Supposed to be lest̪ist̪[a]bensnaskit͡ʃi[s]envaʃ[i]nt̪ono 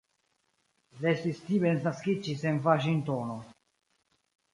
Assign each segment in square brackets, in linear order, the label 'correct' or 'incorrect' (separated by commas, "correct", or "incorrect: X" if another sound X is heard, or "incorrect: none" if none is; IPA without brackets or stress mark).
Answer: incorrect: i, correct, correct